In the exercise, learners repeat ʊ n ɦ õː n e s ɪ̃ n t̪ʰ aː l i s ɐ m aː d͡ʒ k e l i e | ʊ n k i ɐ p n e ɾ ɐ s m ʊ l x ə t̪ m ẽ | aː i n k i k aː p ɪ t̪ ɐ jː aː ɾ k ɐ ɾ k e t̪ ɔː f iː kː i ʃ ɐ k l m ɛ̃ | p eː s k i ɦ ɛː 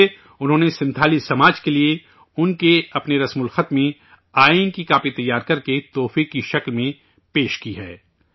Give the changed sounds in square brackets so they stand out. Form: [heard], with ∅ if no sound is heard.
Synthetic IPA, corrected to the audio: ʊ n ɦ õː n e s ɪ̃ n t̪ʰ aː l i s ɐ m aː d͡ʒ k e l i e | ʊ n k [e] ɐ p n e ɾ ɐ s m ʊ l x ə t̪ m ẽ | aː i n k i k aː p [i] t̪ ɐ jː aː ɾ k ɐ ɾ k e t̪ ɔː f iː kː i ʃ ɐ k l m [ẽ] | p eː [ʃ] k i ɦ ɛː